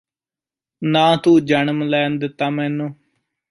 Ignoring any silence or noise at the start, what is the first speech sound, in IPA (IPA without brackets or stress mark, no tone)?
n